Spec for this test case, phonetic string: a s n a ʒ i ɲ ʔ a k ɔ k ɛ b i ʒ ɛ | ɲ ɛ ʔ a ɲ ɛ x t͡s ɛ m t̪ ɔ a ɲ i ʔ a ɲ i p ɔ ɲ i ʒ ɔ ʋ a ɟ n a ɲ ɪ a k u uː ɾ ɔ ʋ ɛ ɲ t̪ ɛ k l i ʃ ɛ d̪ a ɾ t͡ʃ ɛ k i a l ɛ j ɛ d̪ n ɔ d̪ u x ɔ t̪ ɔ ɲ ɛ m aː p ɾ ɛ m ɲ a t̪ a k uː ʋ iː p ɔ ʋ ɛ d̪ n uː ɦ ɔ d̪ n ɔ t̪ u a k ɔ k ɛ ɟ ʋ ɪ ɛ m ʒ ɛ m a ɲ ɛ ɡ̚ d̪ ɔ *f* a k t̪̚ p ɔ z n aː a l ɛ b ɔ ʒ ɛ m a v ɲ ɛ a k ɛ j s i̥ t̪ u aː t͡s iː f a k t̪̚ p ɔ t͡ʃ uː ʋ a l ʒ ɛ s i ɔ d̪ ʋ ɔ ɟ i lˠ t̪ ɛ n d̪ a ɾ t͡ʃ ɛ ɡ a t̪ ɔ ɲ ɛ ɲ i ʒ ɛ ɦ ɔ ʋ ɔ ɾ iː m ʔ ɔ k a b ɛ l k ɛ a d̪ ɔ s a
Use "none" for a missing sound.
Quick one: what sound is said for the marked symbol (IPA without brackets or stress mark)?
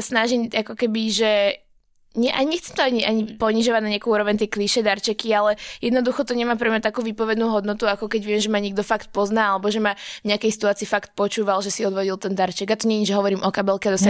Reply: f